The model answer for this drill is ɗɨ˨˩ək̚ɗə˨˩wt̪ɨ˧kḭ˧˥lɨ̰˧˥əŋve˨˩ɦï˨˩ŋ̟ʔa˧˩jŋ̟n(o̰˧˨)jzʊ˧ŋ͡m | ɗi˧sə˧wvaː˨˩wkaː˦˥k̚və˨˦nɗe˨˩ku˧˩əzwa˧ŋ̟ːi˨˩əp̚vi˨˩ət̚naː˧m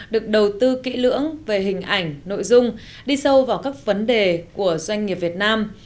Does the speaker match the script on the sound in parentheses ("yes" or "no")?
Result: yes